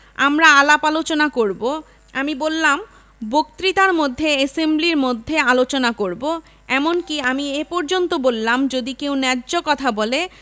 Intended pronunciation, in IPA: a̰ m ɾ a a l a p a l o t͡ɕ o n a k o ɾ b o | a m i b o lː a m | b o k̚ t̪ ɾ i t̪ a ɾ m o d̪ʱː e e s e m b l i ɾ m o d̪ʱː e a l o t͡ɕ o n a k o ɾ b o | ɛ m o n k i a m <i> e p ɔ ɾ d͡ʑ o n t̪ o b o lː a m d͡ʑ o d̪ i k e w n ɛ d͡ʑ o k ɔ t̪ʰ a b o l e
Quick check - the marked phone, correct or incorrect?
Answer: correct